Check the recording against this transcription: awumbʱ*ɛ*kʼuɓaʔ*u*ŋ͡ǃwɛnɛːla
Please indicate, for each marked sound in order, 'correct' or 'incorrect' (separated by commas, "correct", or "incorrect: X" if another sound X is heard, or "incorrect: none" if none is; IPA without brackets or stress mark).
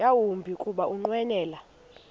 incorrect: i, correct